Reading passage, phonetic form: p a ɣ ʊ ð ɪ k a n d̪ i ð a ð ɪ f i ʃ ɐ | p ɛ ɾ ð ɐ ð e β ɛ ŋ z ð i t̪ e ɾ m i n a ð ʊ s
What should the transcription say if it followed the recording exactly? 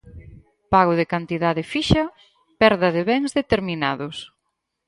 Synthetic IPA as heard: p a ɣ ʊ ð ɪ k a n t̪ i ð a ð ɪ f i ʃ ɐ | p ɛ ɾ ð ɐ ð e β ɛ ŋ z ð e t̪ e ɾ m i n a ð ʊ s